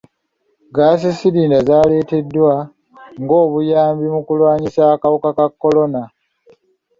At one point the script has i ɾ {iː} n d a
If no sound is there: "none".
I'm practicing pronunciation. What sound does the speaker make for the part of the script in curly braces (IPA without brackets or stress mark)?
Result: iː